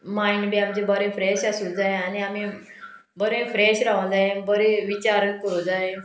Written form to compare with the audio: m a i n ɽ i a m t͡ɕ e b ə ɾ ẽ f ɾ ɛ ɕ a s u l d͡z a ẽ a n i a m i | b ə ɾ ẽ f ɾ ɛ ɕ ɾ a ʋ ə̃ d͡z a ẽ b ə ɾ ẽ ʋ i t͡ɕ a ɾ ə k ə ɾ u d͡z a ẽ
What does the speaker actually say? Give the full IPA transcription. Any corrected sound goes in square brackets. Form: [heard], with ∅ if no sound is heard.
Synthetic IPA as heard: m a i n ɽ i a m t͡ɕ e b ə ɾ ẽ f ɾ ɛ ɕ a s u l d͡z a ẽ a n i a m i | b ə ɾ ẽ f ɾ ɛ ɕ ɾ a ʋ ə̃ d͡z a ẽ b ə ɾ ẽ ʋ i t͡ɕ a ɾ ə k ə ɾ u d͡z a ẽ